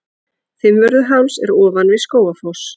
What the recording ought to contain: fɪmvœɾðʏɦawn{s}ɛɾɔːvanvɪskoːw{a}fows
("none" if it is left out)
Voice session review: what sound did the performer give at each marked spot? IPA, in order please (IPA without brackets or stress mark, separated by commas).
s, a